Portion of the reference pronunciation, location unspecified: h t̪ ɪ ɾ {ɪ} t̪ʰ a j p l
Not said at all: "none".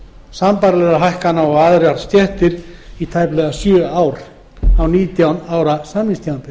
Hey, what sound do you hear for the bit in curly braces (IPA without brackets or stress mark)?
i